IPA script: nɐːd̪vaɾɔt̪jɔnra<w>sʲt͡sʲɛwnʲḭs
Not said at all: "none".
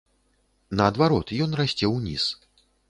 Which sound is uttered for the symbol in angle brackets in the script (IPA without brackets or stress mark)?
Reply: none